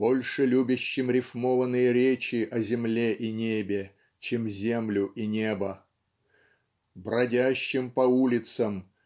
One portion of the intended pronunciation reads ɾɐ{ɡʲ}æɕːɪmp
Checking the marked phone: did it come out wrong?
yes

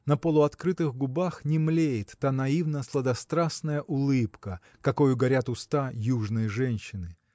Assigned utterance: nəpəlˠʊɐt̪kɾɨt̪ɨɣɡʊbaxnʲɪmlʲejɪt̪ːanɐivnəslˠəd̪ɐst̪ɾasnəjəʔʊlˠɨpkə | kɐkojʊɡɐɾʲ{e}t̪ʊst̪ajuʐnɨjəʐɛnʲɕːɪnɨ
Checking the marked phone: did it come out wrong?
yes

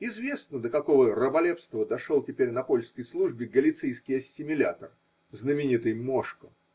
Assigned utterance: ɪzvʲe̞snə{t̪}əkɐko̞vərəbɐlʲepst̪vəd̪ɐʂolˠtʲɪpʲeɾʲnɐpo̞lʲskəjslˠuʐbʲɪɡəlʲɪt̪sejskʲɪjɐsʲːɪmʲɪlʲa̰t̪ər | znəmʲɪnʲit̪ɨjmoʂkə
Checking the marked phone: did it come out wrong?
yes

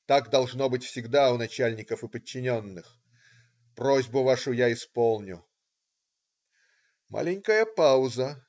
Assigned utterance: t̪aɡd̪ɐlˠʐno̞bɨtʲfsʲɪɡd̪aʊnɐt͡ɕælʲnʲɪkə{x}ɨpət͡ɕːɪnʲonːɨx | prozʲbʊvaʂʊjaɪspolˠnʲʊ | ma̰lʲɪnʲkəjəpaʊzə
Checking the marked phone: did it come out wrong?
yes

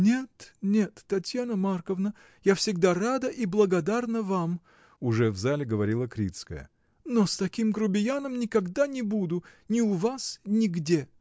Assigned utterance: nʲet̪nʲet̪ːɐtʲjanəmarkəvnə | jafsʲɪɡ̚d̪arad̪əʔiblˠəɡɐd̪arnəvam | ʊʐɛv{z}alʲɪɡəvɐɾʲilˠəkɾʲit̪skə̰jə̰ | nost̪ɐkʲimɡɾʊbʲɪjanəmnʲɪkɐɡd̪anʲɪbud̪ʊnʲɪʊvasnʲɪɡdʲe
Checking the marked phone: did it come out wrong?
no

